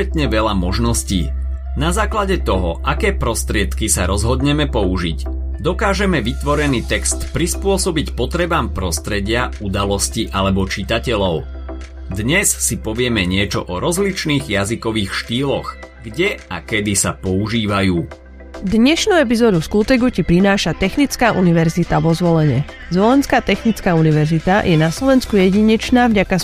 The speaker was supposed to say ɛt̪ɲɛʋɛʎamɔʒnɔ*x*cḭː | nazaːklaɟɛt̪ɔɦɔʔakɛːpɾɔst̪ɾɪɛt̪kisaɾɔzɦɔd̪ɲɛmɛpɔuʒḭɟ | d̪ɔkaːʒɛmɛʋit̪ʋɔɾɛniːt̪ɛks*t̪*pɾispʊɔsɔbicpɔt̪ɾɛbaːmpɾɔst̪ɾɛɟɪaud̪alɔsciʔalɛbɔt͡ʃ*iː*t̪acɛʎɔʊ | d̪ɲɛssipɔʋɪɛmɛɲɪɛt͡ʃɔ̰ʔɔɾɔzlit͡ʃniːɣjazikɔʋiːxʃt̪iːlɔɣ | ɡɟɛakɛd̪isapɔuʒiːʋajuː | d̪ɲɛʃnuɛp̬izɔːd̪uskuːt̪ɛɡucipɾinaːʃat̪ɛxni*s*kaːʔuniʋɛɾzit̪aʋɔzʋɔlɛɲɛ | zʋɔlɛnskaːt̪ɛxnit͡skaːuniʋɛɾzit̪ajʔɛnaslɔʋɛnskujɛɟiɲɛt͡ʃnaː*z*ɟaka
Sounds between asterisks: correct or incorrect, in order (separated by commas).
incorrect, correct, incorrect, incorrect, incorrect